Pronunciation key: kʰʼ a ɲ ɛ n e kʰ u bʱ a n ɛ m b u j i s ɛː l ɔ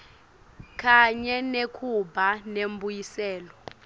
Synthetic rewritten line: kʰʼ a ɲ ɛ n e kʰ u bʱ a n e m b u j i s ɛː l ɔ